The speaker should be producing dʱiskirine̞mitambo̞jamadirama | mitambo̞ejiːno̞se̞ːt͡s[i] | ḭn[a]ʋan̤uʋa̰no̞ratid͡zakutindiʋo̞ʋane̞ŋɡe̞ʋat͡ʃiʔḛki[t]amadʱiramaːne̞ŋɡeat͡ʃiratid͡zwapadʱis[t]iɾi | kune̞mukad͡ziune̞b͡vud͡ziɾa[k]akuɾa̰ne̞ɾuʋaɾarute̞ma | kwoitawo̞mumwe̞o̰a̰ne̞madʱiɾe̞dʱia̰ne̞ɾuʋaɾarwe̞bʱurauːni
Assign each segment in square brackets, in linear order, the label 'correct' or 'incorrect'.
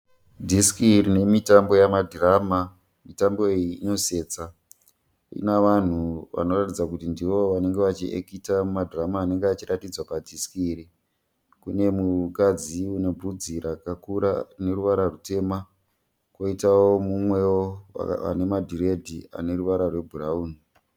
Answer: incorrect, correct, correct, incorrect, correct

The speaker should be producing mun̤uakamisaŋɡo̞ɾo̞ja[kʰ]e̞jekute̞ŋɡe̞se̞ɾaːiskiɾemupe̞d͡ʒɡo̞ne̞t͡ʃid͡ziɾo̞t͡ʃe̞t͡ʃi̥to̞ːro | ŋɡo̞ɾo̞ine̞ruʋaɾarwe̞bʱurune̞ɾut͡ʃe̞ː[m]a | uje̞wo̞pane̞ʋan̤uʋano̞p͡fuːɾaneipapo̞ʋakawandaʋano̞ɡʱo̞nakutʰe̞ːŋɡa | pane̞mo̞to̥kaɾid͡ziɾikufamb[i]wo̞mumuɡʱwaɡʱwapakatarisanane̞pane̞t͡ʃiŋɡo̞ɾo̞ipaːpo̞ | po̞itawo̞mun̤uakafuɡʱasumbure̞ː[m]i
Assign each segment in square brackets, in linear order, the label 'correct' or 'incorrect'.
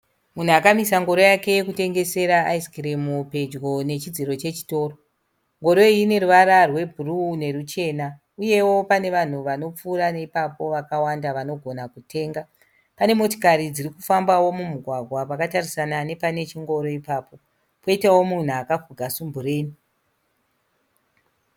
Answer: incorrect, incorrect, incorrect, incorrect

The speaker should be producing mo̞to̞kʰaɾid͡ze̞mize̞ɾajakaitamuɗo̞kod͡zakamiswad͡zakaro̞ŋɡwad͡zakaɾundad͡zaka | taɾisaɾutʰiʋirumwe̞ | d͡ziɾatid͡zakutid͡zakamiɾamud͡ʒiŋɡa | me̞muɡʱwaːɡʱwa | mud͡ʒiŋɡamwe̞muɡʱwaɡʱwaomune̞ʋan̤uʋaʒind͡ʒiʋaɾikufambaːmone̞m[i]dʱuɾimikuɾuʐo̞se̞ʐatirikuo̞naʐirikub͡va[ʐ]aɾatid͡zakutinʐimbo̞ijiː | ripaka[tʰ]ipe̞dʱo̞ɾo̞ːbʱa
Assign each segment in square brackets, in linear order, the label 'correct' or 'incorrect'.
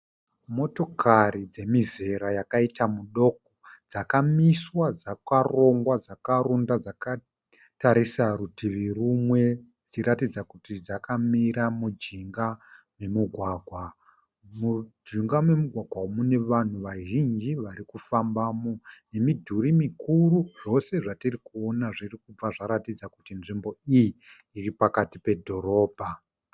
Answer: correct, correct, incorrect

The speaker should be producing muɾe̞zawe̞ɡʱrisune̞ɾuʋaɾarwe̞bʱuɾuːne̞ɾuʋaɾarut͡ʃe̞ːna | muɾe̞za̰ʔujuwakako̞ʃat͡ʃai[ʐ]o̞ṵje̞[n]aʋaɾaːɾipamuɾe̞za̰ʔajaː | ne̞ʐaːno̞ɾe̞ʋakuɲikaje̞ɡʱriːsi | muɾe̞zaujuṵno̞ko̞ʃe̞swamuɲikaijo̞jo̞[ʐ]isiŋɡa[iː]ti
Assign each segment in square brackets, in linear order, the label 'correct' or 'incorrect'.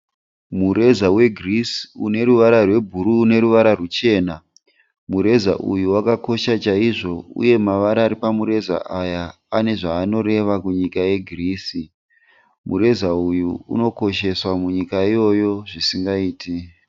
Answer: correct, incorrect, correct, correct

